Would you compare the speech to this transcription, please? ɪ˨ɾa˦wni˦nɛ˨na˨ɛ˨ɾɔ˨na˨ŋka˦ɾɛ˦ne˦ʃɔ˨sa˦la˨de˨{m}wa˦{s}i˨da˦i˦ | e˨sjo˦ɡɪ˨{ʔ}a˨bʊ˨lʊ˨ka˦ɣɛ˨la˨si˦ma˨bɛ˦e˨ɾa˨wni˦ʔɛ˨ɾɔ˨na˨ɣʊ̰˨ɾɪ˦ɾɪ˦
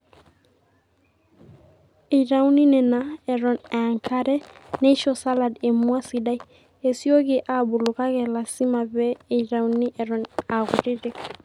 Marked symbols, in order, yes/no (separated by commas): yes, yes, yes